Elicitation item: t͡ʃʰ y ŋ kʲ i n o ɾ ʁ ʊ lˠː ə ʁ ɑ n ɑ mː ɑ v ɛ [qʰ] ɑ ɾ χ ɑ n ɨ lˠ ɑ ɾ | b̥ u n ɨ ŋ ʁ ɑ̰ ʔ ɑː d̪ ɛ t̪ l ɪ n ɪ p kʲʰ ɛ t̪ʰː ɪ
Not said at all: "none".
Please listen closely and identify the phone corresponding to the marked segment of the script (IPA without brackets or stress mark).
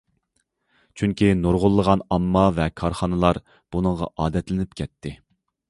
kʰ